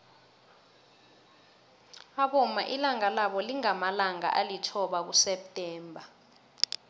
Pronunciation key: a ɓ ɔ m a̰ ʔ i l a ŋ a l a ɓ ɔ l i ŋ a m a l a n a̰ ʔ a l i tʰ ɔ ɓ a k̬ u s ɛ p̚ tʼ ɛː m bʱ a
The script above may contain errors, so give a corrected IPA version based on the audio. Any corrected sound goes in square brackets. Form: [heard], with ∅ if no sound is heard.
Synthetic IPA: a ɓ ɔ m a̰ ʔ i l a ŋ a l a ɓ ɔ l i ŋ a m a l a [ŋ] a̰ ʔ a l i tʰ ɔ ɓ a k̬ u s ɛ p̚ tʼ ɛː m bʱ a